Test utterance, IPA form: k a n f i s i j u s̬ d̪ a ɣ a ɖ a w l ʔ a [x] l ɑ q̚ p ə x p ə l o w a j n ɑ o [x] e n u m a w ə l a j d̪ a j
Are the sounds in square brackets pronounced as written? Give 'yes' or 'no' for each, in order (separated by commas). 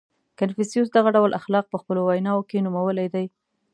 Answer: yes, no